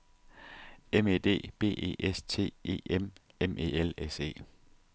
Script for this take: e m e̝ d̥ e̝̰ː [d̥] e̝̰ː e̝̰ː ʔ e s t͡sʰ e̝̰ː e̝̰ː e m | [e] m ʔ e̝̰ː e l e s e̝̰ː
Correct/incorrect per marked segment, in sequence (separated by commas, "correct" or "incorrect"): incorrect, correct